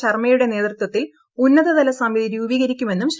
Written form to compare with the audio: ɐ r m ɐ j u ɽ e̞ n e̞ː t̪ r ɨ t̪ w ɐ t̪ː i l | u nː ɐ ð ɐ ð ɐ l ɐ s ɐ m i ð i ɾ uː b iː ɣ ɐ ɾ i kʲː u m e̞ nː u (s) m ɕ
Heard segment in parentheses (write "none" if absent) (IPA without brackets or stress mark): none